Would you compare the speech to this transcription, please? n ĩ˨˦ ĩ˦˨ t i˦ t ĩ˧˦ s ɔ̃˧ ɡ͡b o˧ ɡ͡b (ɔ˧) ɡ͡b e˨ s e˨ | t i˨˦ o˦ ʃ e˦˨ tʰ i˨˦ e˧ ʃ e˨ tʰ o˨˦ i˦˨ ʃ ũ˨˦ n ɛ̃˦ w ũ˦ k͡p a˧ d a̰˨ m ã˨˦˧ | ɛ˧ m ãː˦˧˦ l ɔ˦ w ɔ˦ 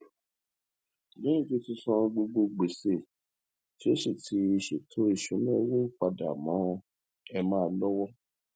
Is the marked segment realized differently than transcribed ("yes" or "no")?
yes